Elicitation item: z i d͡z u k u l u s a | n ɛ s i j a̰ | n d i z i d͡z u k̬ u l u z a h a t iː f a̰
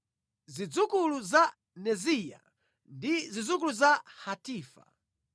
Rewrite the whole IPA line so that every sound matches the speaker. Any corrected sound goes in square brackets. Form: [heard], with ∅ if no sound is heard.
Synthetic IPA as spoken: z i d͡z u k u l u [z] a | n ɛ [z] i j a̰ | n d i z i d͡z u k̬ u l u z a h a t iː f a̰